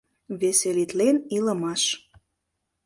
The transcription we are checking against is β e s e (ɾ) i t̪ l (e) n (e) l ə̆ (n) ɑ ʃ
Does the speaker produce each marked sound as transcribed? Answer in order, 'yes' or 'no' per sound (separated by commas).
no, yes, no, no